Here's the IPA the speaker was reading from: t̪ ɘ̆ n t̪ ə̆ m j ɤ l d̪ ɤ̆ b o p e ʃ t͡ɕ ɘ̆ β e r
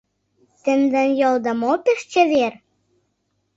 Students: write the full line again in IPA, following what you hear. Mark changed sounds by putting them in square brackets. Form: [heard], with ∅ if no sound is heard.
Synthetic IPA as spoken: t̪ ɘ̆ n [d̪] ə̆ [n] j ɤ l d̪ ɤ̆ [m] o p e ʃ t͡ɕ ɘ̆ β e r